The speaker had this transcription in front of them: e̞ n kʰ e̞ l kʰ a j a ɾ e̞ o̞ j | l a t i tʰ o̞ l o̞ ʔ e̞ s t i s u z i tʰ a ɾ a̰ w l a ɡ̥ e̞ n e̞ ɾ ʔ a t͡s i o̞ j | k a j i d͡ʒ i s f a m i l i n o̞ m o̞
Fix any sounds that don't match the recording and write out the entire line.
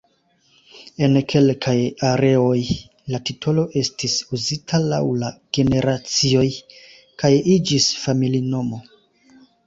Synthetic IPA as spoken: e̞ n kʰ e̞ l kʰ a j a ɾ e̞ o̞ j | l a t i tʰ o̞ l o̞ ʔ e̞ s t i s u z i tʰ a l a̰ w l a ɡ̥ e̞ n e̞ ɾ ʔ a t͡s i o̞ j | k a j i d͡ʒ i s f a m i l i n o̞ m o̞